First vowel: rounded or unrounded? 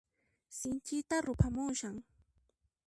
unrounded